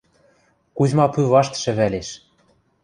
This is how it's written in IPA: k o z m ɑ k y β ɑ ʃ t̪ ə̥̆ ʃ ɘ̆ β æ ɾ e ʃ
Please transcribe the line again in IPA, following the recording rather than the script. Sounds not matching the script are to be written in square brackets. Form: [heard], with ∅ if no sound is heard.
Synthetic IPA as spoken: k [u] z m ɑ [p] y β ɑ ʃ t̪ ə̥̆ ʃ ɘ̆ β æ [l] e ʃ